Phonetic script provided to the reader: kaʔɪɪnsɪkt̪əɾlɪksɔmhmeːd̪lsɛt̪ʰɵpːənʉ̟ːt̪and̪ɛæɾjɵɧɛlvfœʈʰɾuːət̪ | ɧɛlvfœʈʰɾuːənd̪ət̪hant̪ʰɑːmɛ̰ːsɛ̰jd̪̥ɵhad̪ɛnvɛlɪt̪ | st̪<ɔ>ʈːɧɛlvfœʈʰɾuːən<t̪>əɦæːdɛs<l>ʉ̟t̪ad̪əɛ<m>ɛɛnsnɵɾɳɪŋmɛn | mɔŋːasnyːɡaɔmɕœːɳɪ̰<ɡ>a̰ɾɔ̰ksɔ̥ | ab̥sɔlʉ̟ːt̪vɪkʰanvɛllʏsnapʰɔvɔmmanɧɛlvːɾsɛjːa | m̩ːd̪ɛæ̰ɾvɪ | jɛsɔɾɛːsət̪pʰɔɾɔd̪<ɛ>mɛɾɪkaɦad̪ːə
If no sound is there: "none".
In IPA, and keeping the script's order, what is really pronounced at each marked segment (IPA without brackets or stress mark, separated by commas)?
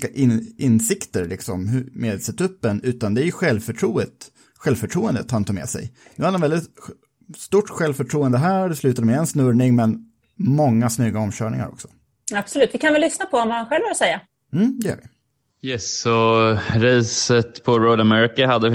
u, d̪, l, m, ŋ, a